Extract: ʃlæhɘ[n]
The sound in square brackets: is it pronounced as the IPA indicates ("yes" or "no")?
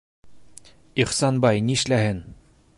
yes